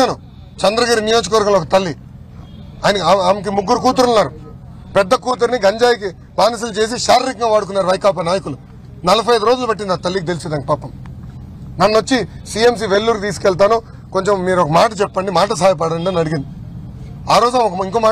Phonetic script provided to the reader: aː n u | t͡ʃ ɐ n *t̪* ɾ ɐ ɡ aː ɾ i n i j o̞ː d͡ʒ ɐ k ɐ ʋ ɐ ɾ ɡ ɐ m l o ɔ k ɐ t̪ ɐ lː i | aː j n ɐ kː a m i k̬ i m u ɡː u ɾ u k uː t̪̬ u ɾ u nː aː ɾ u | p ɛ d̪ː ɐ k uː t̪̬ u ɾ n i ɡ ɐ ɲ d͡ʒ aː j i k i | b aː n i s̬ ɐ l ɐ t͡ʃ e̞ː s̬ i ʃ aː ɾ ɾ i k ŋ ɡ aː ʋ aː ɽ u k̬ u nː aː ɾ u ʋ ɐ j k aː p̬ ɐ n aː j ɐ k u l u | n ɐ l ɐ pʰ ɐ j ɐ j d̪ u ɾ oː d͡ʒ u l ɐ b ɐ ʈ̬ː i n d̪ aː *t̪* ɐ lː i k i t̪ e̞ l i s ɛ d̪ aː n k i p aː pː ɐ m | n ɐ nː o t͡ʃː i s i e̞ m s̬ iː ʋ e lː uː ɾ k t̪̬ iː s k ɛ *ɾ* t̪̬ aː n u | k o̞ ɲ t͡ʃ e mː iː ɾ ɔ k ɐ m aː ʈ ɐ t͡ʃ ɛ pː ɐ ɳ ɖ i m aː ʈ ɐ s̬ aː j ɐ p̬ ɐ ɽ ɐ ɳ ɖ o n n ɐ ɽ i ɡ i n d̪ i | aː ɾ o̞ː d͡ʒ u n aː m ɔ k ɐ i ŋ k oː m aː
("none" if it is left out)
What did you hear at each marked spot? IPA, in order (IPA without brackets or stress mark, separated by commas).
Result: d̪, t̪, ɭ